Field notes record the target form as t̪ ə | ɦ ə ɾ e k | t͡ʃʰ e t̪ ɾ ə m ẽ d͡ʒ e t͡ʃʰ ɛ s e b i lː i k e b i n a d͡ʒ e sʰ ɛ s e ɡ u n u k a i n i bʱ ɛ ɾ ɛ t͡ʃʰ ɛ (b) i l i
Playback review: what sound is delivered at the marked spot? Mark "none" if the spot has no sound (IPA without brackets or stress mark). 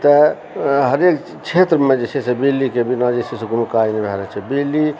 b